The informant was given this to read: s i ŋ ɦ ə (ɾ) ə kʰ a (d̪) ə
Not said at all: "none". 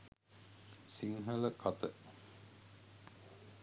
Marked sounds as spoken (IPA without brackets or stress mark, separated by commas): l, t̪